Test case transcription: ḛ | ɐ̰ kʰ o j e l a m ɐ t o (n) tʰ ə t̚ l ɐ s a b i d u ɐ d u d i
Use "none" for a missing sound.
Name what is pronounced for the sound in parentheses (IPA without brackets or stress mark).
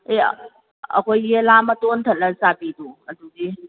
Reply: n